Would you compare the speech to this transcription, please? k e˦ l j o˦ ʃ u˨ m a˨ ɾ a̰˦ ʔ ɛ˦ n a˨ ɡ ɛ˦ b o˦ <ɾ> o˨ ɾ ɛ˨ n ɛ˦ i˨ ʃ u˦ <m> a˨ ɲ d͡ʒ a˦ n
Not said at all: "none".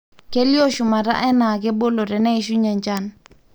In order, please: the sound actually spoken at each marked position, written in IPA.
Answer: l, ɲ

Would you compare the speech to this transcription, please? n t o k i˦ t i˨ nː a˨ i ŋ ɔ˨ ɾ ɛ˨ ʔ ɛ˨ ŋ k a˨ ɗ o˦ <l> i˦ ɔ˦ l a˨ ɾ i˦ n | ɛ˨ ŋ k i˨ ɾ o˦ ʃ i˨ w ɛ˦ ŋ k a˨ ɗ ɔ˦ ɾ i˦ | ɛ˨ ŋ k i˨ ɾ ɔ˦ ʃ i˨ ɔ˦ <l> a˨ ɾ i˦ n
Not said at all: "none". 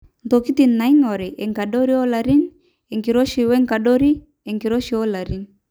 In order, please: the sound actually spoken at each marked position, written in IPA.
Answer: ɾ, l

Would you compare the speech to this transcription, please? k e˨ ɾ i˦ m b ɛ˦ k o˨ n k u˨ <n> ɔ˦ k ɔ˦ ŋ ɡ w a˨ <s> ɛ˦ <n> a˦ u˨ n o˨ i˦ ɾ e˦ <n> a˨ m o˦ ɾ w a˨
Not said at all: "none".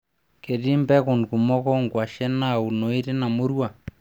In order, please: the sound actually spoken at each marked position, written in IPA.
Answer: m, ʃ, n, n

